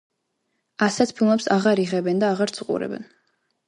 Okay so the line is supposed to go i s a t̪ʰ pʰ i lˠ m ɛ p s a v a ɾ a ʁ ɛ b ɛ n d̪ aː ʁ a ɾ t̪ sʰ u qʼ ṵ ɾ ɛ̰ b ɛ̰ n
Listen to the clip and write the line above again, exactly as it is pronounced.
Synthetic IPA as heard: a s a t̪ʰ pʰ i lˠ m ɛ p s a ʁ a ɾ i ʁ ɛ b ɛ n d̪ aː ʁ a ɾ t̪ sʰ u qʼ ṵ ɾ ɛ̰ b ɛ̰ n